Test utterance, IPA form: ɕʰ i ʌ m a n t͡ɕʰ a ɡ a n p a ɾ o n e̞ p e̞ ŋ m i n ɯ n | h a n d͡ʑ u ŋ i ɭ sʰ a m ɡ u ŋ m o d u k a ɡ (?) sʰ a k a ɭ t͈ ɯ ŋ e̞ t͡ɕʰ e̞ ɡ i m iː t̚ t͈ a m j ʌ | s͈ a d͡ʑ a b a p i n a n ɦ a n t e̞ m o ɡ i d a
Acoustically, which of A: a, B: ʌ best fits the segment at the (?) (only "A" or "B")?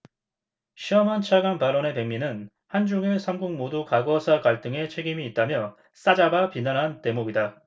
B